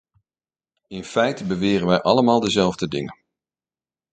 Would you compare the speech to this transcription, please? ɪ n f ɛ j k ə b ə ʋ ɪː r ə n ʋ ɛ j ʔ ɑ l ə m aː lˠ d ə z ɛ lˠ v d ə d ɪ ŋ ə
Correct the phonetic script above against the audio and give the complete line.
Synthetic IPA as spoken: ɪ n f ɛ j t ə b ə ʋ ɪː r ə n ʋ ɛ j ʔ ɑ l ə m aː lˠ d ə z ɛ lˠ v d ə d ɪ ŋ ə